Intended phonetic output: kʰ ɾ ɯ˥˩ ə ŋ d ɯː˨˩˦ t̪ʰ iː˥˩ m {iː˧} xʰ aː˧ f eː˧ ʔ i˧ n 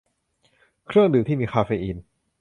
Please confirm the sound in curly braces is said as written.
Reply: yes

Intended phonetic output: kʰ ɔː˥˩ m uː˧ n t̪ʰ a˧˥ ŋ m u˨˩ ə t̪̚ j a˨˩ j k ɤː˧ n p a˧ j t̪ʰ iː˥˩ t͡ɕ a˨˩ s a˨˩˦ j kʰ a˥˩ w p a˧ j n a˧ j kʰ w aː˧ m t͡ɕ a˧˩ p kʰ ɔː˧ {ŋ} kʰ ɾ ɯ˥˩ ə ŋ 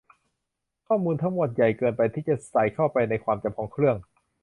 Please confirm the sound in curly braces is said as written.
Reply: yes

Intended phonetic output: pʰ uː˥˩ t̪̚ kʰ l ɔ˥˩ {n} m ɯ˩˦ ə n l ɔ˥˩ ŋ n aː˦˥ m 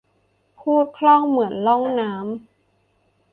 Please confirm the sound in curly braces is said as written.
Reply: no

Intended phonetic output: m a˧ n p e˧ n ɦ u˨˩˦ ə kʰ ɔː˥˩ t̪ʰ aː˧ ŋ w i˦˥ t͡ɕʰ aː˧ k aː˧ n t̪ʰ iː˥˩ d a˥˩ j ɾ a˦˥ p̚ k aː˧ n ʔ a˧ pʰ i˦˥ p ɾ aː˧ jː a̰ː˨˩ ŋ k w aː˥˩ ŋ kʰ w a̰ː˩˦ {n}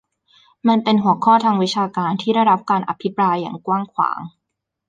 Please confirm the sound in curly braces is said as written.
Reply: no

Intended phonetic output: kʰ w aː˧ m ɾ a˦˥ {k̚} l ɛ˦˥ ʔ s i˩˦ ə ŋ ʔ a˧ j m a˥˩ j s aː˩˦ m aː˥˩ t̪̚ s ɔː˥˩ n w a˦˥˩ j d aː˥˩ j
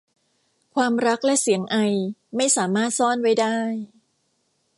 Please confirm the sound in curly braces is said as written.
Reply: yes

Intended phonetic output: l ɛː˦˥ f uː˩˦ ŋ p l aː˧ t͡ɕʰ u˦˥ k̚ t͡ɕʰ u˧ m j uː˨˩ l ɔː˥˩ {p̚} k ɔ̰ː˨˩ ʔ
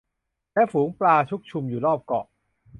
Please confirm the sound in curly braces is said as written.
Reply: yes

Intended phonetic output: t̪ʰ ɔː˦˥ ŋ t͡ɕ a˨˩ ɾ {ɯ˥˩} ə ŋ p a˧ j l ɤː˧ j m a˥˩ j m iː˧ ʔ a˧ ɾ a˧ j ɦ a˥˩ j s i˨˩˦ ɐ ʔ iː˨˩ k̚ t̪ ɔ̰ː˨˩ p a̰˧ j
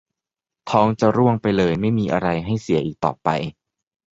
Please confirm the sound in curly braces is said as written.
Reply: no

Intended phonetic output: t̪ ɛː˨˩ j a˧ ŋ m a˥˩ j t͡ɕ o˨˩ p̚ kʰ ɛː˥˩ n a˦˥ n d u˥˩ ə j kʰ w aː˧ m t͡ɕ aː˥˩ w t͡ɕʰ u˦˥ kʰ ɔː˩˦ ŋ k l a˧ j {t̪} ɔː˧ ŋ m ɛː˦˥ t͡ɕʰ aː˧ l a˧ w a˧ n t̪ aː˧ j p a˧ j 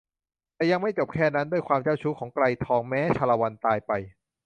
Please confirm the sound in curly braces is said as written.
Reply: no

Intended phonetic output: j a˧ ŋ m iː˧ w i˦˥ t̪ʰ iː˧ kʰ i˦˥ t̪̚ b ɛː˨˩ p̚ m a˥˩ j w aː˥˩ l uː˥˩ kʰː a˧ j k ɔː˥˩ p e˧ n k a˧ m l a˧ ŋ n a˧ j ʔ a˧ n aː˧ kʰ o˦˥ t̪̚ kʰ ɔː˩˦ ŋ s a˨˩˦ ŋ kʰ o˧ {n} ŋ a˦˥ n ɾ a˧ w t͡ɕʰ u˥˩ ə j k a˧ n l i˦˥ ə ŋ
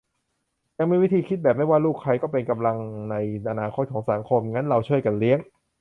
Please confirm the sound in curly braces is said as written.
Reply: no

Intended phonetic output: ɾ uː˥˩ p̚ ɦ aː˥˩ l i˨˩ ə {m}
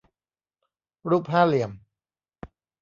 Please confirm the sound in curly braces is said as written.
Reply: yes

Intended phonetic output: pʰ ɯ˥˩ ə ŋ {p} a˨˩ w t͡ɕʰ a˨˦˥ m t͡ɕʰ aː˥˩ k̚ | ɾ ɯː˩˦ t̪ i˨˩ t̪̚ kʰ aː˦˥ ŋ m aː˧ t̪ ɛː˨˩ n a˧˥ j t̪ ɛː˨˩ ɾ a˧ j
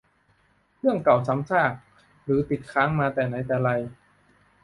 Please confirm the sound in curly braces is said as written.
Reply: no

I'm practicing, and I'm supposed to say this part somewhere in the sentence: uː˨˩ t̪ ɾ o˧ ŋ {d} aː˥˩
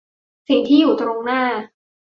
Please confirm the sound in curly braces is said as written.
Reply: no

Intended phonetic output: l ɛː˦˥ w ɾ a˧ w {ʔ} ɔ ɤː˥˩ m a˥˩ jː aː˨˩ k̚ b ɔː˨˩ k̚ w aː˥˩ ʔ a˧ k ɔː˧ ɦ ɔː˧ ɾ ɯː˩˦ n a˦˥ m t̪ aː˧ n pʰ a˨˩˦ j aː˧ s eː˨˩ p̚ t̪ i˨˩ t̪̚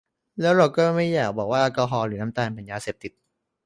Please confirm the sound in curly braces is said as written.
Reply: no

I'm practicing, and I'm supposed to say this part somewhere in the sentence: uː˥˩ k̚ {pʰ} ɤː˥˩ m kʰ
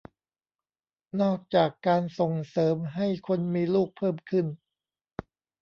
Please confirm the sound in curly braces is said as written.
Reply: yes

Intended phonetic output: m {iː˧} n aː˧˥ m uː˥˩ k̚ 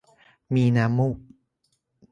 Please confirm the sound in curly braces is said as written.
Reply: yes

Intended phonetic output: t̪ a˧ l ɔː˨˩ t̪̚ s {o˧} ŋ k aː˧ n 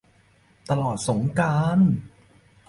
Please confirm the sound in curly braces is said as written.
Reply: no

